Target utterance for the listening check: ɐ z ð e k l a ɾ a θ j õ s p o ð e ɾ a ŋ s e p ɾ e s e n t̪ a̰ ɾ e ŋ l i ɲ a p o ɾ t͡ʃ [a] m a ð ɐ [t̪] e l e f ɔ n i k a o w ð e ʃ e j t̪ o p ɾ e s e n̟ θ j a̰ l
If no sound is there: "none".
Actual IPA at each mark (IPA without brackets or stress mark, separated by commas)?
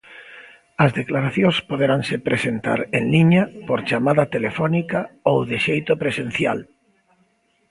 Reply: a, t̪